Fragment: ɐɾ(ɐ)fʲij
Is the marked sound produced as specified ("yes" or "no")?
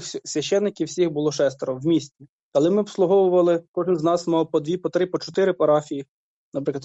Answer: no